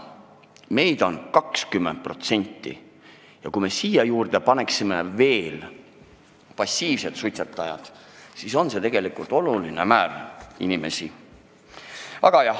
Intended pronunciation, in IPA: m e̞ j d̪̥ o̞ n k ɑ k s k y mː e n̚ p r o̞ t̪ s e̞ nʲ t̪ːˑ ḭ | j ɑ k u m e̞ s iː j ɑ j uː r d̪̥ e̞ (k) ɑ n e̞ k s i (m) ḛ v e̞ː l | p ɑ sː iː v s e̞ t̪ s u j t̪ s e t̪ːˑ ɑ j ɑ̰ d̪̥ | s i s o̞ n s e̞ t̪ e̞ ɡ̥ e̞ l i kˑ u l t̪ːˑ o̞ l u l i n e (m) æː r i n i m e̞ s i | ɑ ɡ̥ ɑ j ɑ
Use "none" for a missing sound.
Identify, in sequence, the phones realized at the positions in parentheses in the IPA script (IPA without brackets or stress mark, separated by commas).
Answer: p, m, m